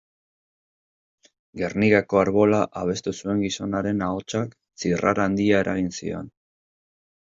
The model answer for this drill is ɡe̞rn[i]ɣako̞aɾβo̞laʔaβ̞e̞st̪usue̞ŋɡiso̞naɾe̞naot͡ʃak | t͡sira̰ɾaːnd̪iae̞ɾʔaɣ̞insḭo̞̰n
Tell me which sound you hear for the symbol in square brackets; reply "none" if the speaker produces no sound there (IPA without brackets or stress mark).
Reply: i